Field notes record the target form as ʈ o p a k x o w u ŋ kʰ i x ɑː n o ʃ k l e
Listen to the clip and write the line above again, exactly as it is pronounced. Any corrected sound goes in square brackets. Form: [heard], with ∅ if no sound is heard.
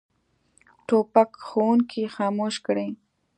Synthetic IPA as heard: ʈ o p a k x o w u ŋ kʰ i x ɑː [m] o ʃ k [ɽ] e